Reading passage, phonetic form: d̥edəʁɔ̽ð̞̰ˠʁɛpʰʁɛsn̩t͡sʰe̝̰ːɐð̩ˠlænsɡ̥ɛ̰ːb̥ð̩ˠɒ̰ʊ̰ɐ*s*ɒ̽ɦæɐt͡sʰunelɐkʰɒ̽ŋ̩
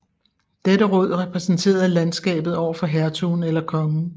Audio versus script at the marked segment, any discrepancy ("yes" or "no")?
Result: yes